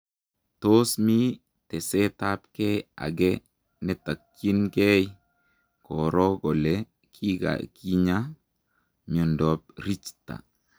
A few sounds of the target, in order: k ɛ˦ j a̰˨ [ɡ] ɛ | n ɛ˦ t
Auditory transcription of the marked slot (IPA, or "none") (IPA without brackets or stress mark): ɡ